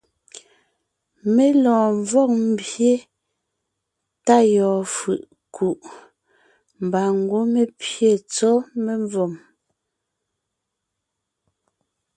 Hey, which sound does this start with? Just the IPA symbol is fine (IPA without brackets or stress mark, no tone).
m